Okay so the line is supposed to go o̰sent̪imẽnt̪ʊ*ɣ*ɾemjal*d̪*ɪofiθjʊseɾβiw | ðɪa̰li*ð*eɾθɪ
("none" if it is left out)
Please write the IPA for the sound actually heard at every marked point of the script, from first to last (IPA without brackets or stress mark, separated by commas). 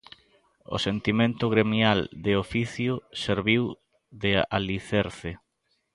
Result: ɣ, d̪, θ